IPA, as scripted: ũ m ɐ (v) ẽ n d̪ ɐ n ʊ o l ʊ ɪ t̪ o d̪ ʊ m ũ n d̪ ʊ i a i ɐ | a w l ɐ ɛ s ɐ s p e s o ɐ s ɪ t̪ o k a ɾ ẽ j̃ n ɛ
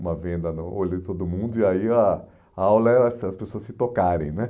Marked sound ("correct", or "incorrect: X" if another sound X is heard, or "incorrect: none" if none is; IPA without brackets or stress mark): correct